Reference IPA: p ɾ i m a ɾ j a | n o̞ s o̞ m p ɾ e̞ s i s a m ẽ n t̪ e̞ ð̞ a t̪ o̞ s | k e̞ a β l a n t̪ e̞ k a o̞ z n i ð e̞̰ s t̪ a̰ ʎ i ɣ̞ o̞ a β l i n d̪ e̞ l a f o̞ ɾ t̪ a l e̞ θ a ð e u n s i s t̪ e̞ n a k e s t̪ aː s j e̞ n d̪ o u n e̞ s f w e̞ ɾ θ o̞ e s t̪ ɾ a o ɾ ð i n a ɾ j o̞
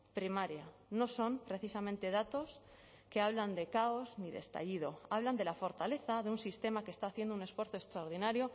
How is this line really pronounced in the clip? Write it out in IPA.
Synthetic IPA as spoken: p ɾ i m a ɾ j a | n o̞ s o̞ m p ɾ e̞ θ i s a m ẽ n t̪ e̞ ð̞ a t̪ o̞ s | k e̞ a β l a n d̪ e̞ k a o̞ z n i ð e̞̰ s t̪ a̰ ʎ i ð̞ o̞ a β l a n d̪ e̞ l a f o̞ ɾ t̪ a l e̞ θ a ð e u n s i s t̪ e̞ m a k e s t̪ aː θ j e̞ n d̪ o u n e̞ s f w e̞ ɾ θ o̞ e s t̪ ɾ a o ɾ ð i n a ɾ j o̞

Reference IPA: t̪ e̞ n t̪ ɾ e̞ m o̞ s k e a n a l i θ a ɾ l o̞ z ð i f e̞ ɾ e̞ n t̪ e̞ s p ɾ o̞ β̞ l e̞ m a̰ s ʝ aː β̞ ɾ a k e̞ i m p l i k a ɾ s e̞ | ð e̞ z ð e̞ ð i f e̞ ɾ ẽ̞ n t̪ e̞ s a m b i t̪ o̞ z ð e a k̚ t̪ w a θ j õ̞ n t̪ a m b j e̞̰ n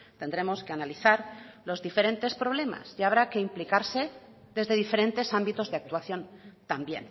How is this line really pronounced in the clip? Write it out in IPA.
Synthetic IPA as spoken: t̪ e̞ n d̪ ɾ e̞ m o̞ s k e a n a l i θ a ɾ l o̞ z ð i f e̞ ɾ e̞ n t̪ e̞ s p ɾ o̞ β̞ l e̞ m a̰ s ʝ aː β̞ ɾ a k e̞ i m p l i k a ɾ s e̞ | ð e̞ z ð e̞ ð i f e̞ ɾ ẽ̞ n t̪ e̞ s a m b i t̪ o̞ z ð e a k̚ t̪ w a θ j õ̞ n t̪ a m b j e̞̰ n

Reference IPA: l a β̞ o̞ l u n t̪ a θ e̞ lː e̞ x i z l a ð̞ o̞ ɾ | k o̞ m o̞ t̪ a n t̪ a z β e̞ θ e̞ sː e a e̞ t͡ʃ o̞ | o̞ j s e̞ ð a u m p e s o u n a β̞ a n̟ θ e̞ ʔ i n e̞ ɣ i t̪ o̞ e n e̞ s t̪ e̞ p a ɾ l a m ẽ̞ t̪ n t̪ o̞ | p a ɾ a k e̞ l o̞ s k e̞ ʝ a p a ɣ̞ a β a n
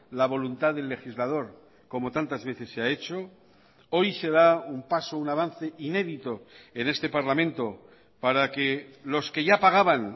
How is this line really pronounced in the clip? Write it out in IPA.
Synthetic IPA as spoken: l a β̞ o̞ l u n t̪ a ð e̞ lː e̞ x i z l a ð̞ o̞ ɾ | k o̞ m o̞ t̪ a n t̪ a z β e̞ θ e̞ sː e a e̞ t͡ʃ o̞ | o̞ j s e̞ ð a u m p a s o u n a β̞ a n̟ θ e̞ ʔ i n e̞ ð i t̪ o̞ e n e̞ s t̪ e̞ p a ɾ l a m ẽ̞ n t̪ o̞ | p a ɾ a k e̞ l o̞ s k e̞ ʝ a p a ɣ̞ a β a n

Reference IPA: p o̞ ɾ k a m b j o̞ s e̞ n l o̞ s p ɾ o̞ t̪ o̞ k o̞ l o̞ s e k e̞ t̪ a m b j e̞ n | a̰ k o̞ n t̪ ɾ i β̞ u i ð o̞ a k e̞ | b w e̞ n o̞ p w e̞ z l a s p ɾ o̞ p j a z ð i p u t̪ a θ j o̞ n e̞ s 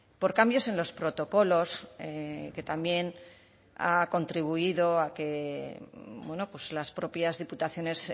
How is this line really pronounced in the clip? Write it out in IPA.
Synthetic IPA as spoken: p o̞ ɾ k a m b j o̞ s e̞ n l o̞ s p ɾ o̞ t̪ o̞ k o̞ l o̞ s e k e̞ t̪ a m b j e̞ n | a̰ k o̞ n t̪ ɾ i β̞ u i ð o̞ a k e̞ | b w e̞ n o̞ p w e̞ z l a s p ɾ o̞ p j a z ð i p u t̪ a θ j o̞ n e̞ s

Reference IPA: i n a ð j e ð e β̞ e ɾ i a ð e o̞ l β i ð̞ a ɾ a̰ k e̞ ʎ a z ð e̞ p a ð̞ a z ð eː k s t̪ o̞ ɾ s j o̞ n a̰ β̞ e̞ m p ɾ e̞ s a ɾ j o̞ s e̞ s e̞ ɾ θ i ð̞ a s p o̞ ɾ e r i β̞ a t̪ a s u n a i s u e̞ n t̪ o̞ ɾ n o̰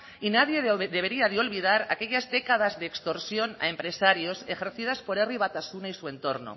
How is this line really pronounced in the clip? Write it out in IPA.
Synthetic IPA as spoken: i n a ð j e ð e β̞ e ɾ i a ð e o̞ l β i ð̞ a ɾ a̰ k e̞ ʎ a z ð e̞ k a ð̞ a z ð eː k s t̪ o̞ ɾ s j o̞ n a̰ e̞ m p ɾ e̞ s a ɾ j o̞ s e̞ x e̞ ɾ θ i ð̞ a s p o̞ ɾ e r i β̞ a t̪ a s u n a i s u e̞ n t̪ o̞ ɾ n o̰

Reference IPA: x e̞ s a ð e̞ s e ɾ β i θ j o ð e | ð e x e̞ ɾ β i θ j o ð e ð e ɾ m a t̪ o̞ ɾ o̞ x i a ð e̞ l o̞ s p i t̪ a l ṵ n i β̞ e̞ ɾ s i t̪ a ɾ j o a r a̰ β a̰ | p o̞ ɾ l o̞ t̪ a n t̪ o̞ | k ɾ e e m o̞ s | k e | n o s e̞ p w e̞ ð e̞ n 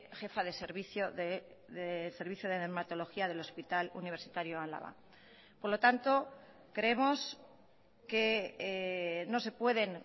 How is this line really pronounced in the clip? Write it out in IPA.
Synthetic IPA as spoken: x e̞ f a ð e̞ s e ɾ β i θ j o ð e | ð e s e̞ ɾ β i θ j o ð e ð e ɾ m a t̪ o̞ l o̞ x i a ð e̞ l o̞ s p i t̪ a l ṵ n i β̞ e̞ ɾ s i t̪ a ɾ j o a l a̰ β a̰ | p o̞ ɾ l o̞ t̪ a n t̪ o̞ | k ɾ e e m o̞ s | k e | n o s e̞ p w e̞ ð e̞ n

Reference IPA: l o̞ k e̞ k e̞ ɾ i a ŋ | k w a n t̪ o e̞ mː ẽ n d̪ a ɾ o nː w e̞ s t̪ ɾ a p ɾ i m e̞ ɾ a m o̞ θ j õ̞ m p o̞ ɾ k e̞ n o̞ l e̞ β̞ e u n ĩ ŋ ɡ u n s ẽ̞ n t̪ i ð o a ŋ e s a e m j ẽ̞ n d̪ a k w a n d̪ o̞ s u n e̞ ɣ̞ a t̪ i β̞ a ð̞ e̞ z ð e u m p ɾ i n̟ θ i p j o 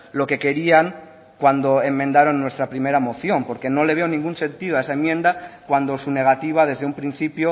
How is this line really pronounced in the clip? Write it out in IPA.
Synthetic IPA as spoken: l o̞ k e̞ k e̞ ɾ i a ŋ | k w a n d̪ o e̞ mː ẽ n d̪ a ɾ o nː w e̞ s t̪ ɾ a p ɾ i m e̞ ɾ a m o̞ θ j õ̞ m p o̞ ɾ k e̞ n o̞ l e̞ β̞ e o n ĩ ŋ ɡ u n s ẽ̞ n t̪ i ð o a e s a e m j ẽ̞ n d̪ a k w a n d̪ o̞ s u n e̞ ɣ̞ a t̪ i β̞ a ð̞ e̞ z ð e u m p ɾ i n̟ θ i p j o

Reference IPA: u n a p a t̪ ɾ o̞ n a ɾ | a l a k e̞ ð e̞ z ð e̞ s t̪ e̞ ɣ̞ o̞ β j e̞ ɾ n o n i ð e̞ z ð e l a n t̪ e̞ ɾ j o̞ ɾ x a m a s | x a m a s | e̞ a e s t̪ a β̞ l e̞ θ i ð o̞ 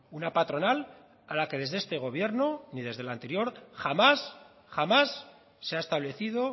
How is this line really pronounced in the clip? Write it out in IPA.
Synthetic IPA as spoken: u n a p a t̪ ɾ o̞ n a l | a l a k e̞ ð e̞ z ð e̞ s t̪ e̞ ɣ̞ o̞ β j e̞ ɾ n o n i ð e̞ z ð e l a n t̪ e̞ ɾ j o̞ ɾ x a m a s | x a m a sː | e̞ a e s t̪ a β̞ l e̞ θ i ð o̞

